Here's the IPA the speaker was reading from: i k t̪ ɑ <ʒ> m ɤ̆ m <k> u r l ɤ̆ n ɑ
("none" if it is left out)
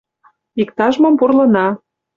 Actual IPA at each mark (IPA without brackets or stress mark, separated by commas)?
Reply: ʒ, p